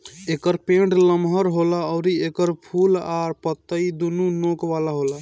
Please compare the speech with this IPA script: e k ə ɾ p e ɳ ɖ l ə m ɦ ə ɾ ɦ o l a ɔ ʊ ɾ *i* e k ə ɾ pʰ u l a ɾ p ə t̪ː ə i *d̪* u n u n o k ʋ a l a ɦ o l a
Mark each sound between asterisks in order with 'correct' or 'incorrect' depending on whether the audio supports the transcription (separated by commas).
correct, correct